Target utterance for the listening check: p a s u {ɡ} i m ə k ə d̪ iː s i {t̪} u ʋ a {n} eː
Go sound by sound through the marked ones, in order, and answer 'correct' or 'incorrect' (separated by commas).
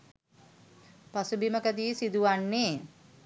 incorrect, incorrect, incorrect